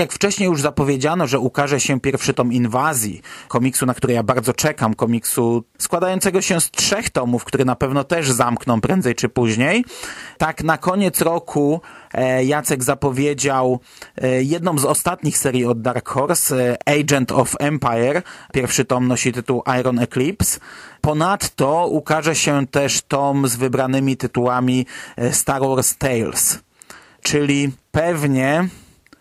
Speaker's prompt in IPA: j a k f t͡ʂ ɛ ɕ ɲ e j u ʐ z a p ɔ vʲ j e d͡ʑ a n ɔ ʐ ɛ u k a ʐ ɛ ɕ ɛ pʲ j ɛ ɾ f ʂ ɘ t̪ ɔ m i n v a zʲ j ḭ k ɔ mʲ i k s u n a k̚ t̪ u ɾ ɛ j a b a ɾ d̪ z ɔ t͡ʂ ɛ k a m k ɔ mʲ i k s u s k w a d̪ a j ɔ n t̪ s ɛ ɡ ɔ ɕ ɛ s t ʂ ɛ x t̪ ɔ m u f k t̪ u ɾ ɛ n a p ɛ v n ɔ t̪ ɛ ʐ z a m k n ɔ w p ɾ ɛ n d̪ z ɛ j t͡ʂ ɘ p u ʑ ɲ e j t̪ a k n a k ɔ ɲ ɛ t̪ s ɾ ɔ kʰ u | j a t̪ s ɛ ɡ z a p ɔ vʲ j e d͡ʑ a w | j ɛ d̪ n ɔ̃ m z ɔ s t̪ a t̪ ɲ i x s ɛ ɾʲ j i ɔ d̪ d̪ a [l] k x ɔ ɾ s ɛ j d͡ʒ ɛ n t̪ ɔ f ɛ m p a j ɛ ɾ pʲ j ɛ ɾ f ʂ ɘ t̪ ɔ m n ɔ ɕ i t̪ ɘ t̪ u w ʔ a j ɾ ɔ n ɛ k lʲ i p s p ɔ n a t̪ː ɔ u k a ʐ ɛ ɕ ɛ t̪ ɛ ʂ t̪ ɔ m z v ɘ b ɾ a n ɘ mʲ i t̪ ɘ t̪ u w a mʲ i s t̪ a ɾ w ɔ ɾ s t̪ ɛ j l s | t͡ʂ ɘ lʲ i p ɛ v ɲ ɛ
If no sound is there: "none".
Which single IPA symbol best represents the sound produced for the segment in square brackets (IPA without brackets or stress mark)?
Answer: ɾ